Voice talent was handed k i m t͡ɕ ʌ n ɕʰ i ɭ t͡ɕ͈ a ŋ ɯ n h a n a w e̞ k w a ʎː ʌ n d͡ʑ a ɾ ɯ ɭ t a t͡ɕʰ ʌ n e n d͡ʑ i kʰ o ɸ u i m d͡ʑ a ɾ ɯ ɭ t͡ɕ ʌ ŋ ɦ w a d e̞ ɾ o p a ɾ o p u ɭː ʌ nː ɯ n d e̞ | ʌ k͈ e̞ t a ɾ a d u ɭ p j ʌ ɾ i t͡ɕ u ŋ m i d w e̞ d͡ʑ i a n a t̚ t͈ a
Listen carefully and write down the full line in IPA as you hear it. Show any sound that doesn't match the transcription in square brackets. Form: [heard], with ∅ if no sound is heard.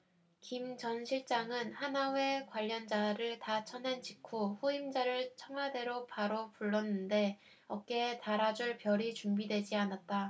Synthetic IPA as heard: k i m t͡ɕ ʌ n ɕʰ i ɭ t͡ɕ͈ a ŋ ɯ n h a n a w e̞ k w a ʎː ʌ n d͡ʑ a ɾ ɯ ɭ t a t͡ɕʰ ʌ n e n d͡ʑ i kʰ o ɸ u i m d͡ʑ a ɾ ɯ ɭ [t͡ɕʰ] ʌ ŋ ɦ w a d e̞ ɾ o p a ɾ o p u ɭː ʌ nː ɯ n d e̞ | ʌ k͈ e̞ t a ɾ a [d͡ʑ] u ɭ p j ʌ ɾ i t͡ɕ u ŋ [b] i d w e̞ d͡ʑ i a n a t̚ t͈ a

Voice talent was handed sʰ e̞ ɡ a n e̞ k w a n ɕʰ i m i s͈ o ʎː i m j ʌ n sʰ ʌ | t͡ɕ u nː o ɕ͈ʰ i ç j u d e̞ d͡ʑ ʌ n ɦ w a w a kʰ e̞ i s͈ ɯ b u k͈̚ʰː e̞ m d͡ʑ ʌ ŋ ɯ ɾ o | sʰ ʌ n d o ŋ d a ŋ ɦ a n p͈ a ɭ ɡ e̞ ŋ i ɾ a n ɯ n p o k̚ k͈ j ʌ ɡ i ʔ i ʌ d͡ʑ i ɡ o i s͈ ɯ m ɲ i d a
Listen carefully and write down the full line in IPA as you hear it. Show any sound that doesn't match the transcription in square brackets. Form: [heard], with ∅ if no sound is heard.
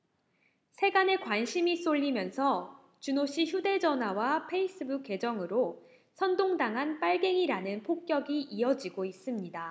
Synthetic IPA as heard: sʰ e̞ ɡ a n e̞ k w a n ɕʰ i m i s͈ o ʎː i m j ʌ n sʰ ʌ | t͡ɕ u [n] o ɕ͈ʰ i ç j u d e̞ d͡ʑ ʌ n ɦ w a w a [pʰ] e̞ i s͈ ɯ b u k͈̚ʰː e̞ [∅] d͡ʑ ʌ ŋ ɯ ɾ o | sʰ ʌ n d o ŋ d a ŋ ɦ a n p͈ a ɭ ɡ e̞ ŋ i ɾ a n ɯ n [pʰ] o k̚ k͈ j ʌ ɡ i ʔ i ʌ d͡ʑ i ɡ o i s͈ ɯ m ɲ i d a

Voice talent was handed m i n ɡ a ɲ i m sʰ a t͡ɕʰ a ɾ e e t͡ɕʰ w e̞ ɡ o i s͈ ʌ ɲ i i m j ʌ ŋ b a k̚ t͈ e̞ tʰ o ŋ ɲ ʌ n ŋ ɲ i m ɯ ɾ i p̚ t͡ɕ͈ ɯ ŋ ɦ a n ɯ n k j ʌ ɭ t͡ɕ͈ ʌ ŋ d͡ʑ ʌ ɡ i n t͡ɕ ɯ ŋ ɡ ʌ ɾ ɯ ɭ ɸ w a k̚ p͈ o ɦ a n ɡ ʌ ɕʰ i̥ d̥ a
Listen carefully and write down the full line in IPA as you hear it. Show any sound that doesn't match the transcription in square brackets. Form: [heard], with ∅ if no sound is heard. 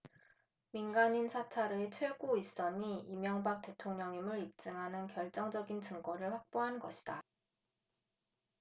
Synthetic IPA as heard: m i n ɡ a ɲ i [n] sʰ a t͡ɕʰ a ɾ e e t͡ɕʰ w e̞ ɡ o i s͈ ʌ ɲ i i m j ʌ ŋ b a k̚ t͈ e̞ tʰ o ŋ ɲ ʌ [∅] ŋ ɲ i m ɯ ɾ i p̚ t͡ɕ͈ ɯ ŋ ɦ a n ɯ n k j ʌ ɭ t͡ɕ͈ ʌ ŋ d͡ʑ ʌ ɡ i n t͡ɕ ɯ ŋ ɡ ʌ ɾ ɯ ɭ ɸ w a k̚ p͈ o ɦ a n ɡ ʌ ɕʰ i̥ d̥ a

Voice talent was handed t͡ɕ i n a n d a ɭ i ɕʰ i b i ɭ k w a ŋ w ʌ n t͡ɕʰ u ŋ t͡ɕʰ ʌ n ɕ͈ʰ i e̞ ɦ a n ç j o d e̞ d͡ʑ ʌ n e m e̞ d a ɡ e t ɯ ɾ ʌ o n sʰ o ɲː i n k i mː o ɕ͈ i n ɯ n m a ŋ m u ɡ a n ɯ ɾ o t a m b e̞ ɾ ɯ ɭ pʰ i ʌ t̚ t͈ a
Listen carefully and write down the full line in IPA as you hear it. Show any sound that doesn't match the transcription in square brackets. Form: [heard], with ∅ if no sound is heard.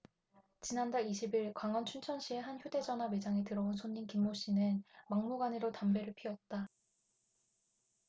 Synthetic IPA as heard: t͡ɕ i n a n d a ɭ i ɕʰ i b i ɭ k w a ŋ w ʌ n t͡ɕʰ u [n] t͡ɕʰ ʌ n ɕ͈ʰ i e̞ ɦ a n ç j o d e̞ d͡ʑ ʌ n [a] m e̞ [d͡ʑ] a [ŋ] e t ɯ ɾ ʌ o n sʰ o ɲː i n k i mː o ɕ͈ i n ɯ n m a ŋ m u ɡ a n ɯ ɾ o t a m b e̞ ɾ ɯ ɭ pʰ i ʌ t̚ t͈ a

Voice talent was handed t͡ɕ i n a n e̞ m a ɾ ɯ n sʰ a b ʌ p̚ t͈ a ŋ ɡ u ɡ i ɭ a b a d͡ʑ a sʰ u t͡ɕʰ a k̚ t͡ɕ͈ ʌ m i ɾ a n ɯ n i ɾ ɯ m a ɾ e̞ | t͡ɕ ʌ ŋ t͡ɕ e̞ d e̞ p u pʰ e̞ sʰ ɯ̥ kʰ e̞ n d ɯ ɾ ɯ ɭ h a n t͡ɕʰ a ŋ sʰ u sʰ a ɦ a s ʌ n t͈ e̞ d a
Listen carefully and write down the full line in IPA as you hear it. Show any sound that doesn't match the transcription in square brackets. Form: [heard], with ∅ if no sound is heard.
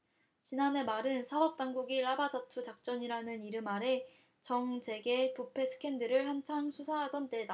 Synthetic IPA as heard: t͡ɕ i n a n e̞ m a ɾ ɯ n sʰ a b ʌ p̚ t͈ a ŋ ɡ u ɡ i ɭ a b a d͡ʑ a [tʰ] u [t͡ɕ] a k̚ t͡ɕ͈ ʌ [ɲ] i ɾ a n ɯ n i ɾ ɯ m a ɾ e̞ | t͡ɕ ʌ ŋ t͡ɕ e̞ [ɡ] e̞ p u pʰ e̞ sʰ ɯ̥ kʰ e̞ n d ɯ ɾ ɯ ɭ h a n t͡ɕʰ a ŋ sʰ u sʰ a ɦ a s ʌ n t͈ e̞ d a

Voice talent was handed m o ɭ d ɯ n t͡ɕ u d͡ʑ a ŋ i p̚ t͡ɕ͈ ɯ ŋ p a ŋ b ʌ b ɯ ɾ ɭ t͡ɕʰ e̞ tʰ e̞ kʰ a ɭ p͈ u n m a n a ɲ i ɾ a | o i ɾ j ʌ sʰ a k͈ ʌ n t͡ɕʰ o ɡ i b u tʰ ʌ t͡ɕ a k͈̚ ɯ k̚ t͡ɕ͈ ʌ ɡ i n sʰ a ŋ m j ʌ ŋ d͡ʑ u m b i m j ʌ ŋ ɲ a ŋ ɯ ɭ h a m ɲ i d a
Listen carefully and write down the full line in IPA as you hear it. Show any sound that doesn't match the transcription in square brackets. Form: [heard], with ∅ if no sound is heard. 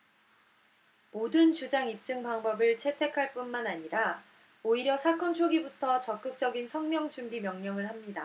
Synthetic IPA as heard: m o [∅] d ɯ n t͡ɕ u d͡ʑ a ŋ i p̚ t͡ɕ͈ ɯ ŋ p a ŋ b ʌ b ɯ [∅] ɭ t͡ɕʰ e̞ tʰ e̞ kʰ a ɭ p͈ u n m a n a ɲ i ɾ a | o i ɾ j ʌ sʰ a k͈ ʌ n t͡ɕʰ o ɡ i b u tʰ ʌ t͡ɕ [ʌ] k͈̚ ɯ k̚ t͡ɕ͈ ʌ ɡ i n sʰ [ʌ] ŋ m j ʌ ŋ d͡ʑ u m b i m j ʌ ŋ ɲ [ʌ] ŋ ɯ ɭ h a m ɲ i d a

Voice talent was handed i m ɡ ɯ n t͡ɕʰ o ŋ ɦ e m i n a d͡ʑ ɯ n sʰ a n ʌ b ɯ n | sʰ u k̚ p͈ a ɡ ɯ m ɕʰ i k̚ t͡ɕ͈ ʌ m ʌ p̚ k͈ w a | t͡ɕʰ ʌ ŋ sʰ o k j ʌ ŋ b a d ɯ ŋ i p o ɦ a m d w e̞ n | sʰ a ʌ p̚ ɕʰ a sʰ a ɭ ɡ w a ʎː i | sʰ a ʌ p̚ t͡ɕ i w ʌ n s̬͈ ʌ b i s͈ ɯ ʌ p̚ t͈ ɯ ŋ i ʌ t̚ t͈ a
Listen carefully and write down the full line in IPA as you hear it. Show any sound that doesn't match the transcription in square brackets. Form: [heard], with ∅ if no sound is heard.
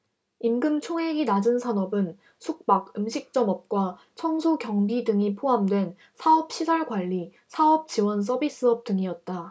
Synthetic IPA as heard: i m ɡ ɯ [m] t͡ɕʰ o ŋ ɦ e [ŋ] i n a d͡ʑ ɯ n sʰ a n ʌ b ɯ n | sʰ u k̚ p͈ a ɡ ɯ m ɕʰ i k̚ t͡ɕ͈ ʌ m ʌ p̚ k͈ w a | t͡ɕʰ ʌ ŋ sʰ o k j ʌ ŋ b [i] d ɯ ŋ i [pʰ] o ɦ a m d w e̞ n | sʰ a ʌ p̚ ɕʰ [i] sʰ a ɭ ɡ w a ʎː i | sʰ a ʌ p̚ t͡ɕ i w ʌ n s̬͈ ʌ b i s͈ ɯ ʌ p̚ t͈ ɯ ŋ i ʌ t̚ t͈ a

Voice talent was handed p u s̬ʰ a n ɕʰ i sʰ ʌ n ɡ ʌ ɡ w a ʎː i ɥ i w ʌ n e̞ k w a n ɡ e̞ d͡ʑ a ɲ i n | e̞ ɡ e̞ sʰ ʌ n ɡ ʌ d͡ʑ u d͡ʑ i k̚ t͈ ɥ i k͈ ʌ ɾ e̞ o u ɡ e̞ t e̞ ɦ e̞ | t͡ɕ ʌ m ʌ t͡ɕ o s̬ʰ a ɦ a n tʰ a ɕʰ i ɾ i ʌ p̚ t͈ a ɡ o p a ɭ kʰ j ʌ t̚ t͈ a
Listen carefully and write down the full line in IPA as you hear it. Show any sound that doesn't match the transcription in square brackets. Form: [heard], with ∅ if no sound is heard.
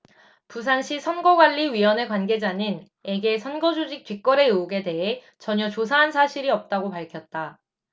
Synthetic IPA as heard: p u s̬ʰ a n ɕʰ i sʰ ʌ n ɡ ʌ ɡ w a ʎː i ɥ i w ʌ n e̞ k w a n ɡ e̞ d͡ʑ a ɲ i n | e̞ ɡ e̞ sʰ ʌ n ɡ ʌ d͡ʑ u d͡ʑ i k̚ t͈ ɥ i k͈ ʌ ɾ e̞ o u ɡ e̞ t e̞ ɦ e̞ | t͡ɕ ʌ [ɲ] ʌ t͡ɕ o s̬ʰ a ɦ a n [sʰ] a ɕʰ i ɾ i ʌ p̚ t͈ a ɡ o p a ɭ kʰ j ʌ t̚ t͈ a

